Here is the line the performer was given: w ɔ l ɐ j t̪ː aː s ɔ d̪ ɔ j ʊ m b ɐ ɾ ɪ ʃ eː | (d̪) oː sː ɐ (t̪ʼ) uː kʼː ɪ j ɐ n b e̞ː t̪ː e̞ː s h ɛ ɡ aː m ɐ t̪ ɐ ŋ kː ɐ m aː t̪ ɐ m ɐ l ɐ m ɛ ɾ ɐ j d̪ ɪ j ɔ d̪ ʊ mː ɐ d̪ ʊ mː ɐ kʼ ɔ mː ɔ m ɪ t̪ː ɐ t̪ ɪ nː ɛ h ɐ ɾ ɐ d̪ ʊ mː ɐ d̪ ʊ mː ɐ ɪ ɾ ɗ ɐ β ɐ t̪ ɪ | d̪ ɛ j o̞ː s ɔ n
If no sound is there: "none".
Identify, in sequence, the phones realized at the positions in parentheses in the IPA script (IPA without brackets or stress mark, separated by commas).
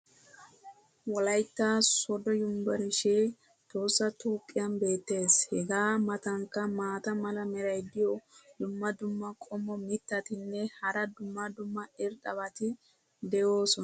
t̪, t̪